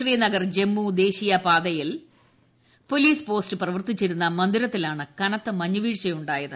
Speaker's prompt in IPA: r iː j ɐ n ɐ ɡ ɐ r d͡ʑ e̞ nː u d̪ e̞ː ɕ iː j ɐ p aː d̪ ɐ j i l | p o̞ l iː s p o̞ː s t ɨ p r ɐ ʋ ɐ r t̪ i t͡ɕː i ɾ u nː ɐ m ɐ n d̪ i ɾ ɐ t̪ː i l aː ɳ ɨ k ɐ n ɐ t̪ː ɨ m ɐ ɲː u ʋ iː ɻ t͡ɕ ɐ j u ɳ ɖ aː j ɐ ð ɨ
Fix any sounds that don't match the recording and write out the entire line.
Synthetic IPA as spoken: r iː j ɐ n ɐ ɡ ɐ r d͡ʑ e̞ mː u d̪ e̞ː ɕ i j ɐ p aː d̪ ɐ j i l | p o̞ l iː s p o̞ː s t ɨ p r ɐ ʋ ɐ r t̪ i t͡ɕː i ɾ u nː ɐ m ɐ n d̪ i ɾ ɐ t̪ː i l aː ɳ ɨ k ɐ n ɐ t̪ː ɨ m ɐ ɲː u ʋ iː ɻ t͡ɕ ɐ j u ɳ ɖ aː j ɐ ð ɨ